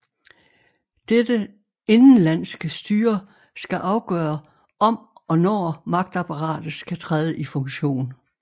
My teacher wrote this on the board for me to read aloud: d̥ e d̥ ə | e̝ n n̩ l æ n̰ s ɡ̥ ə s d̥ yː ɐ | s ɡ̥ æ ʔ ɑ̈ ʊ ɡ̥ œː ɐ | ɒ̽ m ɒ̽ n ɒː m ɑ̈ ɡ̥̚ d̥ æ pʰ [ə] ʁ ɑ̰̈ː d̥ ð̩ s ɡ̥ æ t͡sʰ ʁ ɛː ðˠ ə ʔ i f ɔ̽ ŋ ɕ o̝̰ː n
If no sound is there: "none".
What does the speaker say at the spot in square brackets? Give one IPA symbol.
ɑ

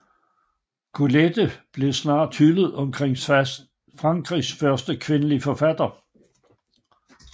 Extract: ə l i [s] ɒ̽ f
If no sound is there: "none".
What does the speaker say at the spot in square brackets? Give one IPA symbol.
f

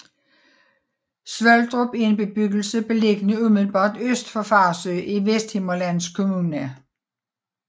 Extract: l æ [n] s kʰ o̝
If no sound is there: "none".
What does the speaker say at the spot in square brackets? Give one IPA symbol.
n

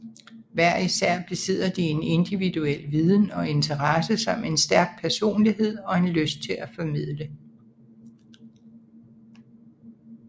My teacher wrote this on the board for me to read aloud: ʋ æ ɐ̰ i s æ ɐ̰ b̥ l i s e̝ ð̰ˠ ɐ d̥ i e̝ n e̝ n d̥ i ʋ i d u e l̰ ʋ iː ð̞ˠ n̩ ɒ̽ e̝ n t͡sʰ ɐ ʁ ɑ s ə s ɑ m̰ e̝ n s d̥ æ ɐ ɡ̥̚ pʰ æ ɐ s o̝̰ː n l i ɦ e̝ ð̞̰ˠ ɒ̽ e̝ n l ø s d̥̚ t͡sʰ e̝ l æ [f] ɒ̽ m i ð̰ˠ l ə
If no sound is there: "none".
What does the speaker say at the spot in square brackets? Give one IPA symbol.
f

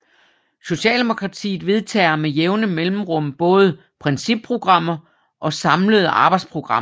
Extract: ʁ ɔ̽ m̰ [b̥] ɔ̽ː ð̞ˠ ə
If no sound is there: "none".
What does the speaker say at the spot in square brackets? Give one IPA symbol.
b̥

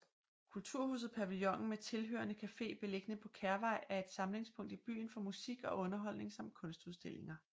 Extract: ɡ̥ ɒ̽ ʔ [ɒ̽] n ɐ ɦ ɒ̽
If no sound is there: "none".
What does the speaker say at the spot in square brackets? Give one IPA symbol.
ɔ̽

